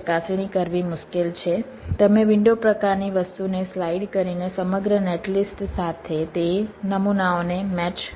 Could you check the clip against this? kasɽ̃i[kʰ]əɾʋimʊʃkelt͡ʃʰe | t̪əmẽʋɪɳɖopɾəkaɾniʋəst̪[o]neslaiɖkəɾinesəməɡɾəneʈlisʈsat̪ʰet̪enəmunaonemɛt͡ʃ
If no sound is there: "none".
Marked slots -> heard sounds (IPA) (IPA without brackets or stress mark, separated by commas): k, u